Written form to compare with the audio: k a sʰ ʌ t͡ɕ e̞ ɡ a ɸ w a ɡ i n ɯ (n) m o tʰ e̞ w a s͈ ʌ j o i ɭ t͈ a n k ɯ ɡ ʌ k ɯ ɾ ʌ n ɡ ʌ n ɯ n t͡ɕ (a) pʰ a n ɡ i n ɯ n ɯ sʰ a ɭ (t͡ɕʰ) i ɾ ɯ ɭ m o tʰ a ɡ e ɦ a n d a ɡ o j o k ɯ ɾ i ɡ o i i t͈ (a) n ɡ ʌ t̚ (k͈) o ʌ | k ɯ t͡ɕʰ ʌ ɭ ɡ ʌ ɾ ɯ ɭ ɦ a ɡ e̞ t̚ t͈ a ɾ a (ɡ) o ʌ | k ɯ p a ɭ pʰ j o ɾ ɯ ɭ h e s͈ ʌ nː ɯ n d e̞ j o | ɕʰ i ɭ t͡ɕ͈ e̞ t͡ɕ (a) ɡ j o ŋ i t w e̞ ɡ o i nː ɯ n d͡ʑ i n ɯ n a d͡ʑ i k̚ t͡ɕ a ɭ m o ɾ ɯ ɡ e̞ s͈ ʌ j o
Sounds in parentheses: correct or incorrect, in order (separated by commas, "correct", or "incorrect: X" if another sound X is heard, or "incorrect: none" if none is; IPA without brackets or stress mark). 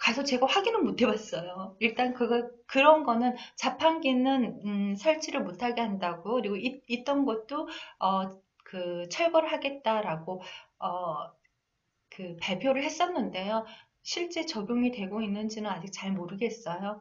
correct, correct, correct, incorrect: ʌ, incorrect: t͈, correct, incorrect: ʌ